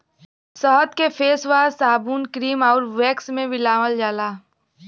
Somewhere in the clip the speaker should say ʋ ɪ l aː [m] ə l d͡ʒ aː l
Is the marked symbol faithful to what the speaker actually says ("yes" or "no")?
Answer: yes